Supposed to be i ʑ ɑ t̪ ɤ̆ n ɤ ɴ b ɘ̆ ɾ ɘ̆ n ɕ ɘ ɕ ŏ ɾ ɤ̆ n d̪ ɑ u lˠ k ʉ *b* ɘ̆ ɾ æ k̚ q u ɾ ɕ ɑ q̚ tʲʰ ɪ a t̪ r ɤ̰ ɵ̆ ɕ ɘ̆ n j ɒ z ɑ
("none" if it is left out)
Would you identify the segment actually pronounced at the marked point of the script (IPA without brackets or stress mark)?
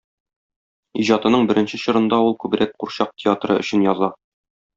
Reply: b